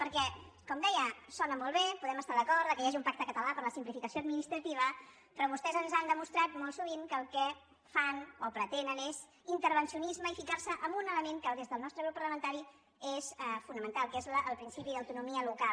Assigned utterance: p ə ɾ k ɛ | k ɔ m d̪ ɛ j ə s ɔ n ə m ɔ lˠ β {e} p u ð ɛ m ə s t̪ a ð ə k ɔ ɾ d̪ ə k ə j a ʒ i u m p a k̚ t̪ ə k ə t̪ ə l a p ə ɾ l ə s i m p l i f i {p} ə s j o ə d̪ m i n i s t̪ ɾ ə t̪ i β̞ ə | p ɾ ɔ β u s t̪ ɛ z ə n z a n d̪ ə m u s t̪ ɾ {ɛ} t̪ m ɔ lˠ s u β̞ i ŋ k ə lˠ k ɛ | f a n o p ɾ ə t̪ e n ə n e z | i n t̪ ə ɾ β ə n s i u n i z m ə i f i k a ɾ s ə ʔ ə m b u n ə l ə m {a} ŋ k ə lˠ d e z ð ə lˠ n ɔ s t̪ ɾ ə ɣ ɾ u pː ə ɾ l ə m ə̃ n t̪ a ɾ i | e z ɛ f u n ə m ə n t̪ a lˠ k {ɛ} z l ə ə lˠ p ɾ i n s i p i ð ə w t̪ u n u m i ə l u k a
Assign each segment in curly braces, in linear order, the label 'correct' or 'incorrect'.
correct, incorrect: k, incorrect: a, incorrect: e, incorrect: e

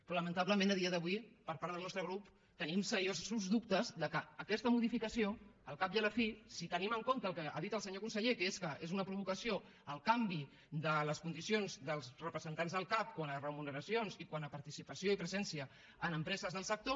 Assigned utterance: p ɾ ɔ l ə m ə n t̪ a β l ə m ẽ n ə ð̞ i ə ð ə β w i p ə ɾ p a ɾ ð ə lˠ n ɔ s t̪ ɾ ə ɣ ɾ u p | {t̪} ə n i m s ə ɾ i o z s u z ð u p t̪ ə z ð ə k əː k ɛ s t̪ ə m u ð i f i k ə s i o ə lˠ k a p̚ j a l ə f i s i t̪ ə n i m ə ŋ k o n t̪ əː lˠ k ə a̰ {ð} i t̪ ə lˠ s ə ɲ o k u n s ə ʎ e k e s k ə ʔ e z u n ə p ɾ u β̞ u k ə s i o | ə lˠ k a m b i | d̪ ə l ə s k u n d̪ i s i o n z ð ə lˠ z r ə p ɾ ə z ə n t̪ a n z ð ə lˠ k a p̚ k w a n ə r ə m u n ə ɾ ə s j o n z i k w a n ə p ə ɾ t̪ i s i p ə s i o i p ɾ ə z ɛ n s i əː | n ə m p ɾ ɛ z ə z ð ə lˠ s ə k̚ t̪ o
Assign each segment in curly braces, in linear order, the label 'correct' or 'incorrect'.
correct, correct

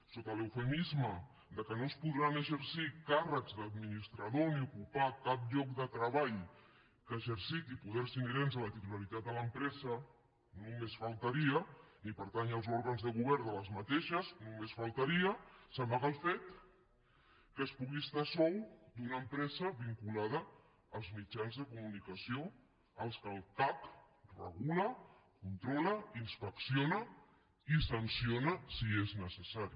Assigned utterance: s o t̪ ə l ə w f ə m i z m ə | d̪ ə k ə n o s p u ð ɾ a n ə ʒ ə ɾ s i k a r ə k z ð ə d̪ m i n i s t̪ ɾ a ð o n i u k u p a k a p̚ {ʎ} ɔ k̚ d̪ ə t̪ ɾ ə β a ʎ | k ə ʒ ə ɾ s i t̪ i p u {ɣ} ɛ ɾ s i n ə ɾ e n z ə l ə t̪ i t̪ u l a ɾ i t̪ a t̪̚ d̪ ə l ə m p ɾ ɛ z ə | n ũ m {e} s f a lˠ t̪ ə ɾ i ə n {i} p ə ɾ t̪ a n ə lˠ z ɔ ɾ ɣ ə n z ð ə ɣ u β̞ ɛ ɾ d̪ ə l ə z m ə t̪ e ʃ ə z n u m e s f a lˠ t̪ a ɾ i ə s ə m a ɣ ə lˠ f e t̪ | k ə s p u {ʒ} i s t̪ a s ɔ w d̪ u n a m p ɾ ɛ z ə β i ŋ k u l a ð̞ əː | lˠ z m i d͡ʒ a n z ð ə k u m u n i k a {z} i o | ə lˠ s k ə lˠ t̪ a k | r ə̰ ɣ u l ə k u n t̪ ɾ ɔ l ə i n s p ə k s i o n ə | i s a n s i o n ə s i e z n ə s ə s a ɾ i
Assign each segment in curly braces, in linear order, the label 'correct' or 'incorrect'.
correct, incorrect: ð, correct, correct, incorrect: ɣ, incorrect: s

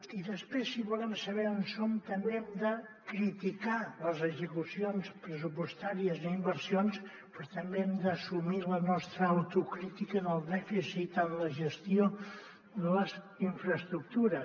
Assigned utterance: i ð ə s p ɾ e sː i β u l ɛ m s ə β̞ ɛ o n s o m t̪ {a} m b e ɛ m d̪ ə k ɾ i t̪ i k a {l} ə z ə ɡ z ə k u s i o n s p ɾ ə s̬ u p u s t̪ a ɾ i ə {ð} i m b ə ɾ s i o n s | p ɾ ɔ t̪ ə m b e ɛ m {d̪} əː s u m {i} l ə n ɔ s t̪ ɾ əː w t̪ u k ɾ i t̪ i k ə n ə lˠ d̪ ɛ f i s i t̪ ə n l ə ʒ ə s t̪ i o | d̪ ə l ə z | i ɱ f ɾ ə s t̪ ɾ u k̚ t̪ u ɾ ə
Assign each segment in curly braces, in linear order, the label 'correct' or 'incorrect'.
incorrect: ə, correct, incorrect: z, correct, correct

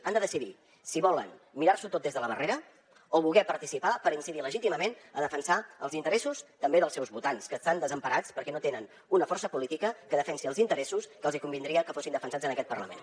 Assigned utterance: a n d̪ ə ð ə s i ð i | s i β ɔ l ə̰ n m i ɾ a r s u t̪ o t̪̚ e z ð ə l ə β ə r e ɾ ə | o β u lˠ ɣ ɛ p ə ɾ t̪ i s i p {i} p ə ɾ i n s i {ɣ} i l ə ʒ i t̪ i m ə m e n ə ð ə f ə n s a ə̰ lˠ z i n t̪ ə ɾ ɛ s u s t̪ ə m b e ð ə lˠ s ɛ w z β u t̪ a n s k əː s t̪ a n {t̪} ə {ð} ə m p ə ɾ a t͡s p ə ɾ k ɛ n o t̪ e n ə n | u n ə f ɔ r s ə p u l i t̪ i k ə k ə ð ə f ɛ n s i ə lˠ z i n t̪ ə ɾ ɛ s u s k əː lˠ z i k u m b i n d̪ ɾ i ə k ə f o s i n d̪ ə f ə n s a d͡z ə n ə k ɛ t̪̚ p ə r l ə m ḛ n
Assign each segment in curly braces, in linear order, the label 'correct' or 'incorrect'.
incorrect: a, incorrect: ð, incorrect: d̪, incorrect: z

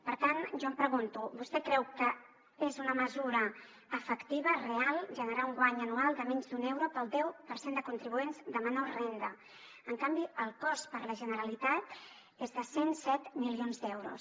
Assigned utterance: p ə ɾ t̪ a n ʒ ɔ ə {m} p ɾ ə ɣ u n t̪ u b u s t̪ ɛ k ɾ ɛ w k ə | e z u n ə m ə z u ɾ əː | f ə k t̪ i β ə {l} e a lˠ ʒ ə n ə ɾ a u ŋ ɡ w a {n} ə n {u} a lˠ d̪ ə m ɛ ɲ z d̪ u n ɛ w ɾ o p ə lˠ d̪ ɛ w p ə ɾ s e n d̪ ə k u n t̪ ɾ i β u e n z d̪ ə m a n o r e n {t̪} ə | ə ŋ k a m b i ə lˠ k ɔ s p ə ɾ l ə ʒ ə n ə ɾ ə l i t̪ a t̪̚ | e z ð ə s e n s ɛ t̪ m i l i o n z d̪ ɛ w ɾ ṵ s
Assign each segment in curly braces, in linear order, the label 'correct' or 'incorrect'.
correct, incorrect: r, incorrect: ɲ, correct, incorrect: d̪

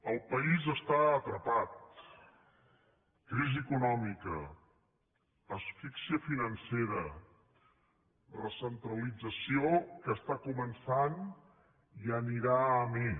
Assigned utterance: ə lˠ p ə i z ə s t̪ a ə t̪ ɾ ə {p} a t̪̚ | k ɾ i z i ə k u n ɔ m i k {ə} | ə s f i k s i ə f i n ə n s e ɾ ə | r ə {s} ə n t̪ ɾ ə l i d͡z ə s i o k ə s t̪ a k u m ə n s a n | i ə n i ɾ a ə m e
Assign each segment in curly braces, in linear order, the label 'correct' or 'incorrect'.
correct, correct, correct

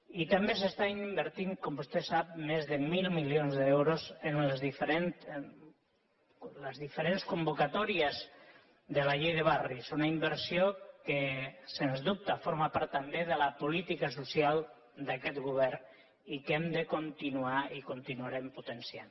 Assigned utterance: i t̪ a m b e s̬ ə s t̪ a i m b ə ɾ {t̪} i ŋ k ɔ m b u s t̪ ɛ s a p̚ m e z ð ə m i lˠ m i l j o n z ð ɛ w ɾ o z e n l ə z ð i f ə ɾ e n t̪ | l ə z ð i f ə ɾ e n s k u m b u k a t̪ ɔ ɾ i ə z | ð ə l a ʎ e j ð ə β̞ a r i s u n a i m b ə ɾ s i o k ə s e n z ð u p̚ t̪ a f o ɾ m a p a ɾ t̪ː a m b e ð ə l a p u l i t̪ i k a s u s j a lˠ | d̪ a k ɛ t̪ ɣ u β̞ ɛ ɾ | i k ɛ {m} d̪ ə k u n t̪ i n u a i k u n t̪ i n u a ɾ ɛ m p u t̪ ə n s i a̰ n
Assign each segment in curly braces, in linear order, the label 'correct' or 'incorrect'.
correct, correct

